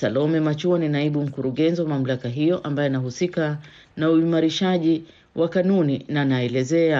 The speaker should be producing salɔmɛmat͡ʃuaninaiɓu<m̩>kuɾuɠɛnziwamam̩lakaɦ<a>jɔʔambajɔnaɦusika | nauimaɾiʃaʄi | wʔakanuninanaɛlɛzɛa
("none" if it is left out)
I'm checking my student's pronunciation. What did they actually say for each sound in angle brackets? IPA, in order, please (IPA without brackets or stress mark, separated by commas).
m̩, i